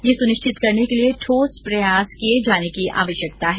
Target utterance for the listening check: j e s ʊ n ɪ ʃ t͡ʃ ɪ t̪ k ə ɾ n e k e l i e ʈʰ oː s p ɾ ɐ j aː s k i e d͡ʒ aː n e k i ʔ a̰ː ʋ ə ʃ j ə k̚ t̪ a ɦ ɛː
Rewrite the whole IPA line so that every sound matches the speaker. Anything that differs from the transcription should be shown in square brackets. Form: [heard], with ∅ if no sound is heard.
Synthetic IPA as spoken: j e s ʊ n ɪ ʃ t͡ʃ ɪ t̪ k [ɐ] ɾ n e k e l i e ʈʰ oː s p ɾ ɐ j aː s k i e d͡ʒ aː n e k i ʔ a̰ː ʋ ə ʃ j ə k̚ t̪ a ɦ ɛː